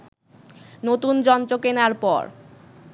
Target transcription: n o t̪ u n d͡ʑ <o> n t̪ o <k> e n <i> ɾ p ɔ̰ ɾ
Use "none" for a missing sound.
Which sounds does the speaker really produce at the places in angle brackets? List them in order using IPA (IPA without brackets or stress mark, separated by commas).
ɔ, k, a